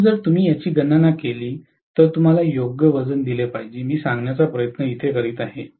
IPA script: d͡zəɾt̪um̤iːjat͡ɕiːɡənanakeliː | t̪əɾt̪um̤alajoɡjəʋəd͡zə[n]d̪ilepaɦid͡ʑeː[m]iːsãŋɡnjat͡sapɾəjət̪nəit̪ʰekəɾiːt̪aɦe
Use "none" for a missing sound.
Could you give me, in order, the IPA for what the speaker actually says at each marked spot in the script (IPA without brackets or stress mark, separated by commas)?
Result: n, m